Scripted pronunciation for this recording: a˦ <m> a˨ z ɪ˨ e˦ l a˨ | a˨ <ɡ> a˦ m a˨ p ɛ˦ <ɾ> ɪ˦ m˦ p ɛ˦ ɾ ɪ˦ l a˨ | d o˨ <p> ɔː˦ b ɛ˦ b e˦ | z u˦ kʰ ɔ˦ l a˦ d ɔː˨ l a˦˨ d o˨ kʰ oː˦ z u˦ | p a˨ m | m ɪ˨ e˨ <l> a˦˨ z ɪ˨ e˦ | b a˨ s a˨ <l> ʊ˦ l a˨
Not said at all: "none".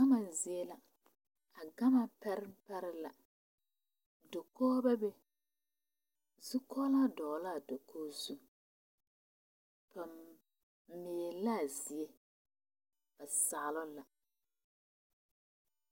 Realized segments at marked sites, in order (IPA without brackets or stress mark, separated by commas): m, ɡ, ɾ, k, l, l